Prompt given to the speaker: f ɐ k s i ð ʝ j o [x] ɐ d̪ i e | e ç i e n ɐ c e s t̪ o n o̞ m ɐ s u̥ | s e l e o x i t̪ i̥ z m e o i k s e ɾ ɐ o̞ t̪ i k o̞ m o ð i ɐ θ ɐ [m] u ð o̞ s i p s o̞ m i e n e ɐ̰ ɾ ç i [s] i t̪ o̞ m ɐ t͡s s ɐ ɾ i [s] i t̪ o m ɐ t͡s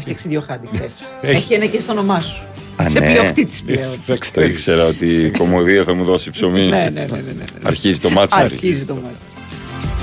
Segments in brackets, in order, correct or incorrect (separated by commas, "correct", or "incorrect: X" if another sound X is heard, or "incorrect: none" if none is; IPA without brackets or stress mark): correct, correct, incorrect: z, incorrect: z